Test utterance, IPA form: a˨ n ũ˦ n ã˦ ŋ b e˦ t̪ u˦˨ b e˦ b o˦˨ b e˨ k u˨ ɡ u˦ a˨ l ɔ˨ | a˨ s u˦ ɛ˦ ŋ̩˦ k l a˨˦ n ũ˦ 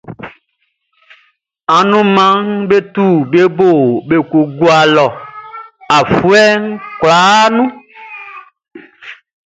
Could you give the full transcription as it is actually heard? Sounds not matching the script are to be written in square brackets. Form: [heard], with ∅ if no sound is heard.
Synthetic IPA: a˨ n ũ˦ [m] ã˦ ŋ b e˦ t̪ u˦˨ b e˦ b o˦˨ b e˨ k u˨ ɡ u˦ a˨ l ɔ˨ | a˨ [f] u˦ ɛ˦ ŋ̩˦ k l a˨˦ n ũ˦